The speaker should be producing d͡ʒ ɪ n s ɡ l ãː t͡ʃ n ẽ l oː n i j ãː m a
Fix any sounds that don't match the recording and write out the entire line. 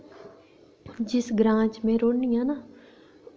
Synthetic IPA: d͡ʒ ɪ s ɡ ɾ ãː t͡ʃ m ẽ ɾ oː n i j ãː n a